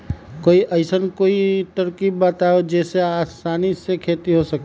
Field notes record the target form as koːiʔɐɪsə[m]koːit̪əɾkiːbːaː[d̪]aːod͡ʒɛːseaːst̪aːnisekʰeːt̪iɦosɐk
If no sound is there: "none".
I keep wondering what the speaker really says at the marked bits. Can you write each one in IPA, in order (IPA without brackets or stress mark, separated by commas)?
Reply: n, t̪